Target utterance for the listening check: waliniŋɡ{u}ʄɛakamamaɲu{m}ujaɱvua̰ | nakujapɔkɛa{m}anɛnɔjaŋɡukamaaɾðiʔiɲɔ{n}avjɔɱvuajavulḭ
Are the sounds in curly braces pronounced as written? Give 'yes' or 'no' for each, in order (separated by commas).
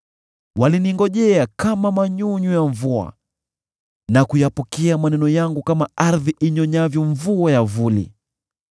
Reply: no, no, yes, no